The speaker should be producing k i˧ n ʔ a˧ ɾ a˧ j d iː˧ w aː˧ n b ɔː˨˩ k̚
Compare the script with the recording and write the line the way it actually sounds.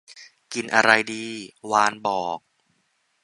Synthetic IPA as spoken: k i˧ n ʔ a˧ ɾ a˧ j d iː˧ w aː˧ n b ɔː˨˩ k̚